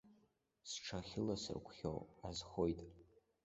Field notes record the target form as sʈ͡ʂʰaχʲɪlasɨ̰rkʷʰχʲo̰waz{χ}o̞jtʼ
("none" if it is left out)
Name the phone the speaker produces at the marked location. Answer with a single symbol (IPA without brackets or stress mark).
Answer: χ